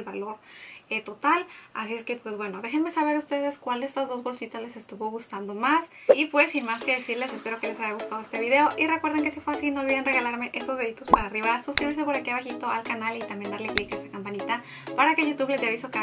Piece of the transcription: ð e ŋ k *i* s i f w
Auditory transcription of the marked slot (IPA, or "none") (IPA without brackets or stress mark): e